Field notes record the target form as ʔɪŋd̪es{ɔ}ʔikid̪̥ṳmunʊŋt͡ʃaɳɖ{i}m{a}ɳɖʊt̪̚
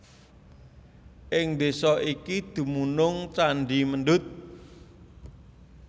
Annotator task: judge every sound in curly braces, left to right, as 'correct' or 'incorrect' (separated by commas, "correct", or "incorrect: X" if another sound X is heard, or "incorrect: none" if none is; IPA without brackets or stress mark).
correct, correct, incorrect: ə